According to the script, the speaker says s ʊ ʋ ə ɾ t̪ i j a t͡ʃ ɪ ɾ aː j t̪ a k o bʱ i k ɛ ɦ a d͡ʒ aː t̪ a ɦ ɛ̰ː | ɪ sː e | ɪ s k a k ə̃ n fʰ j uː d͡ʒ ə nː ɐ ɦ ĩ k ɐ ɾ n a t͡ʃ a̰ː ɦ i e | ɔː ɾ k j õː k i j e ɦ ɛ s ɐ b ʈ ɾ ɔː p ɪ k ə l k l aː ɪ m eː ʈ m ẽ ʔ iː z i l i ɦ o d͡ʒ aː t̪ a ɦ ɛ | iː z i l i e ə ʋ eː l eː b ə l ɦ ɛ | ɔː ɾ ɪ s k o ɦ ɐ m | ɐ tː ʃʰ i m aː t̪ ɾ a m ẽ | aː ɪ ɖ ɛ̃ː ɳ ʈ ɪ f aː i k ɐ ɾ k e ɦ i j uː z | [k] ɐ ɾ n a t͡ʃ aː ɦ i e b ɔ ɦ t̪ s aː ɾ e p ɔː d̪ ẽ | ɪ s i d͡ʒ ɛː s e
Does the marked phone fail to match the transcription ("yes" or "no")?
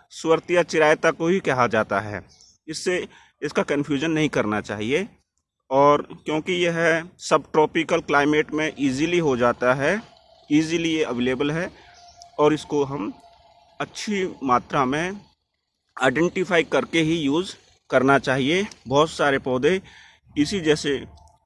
no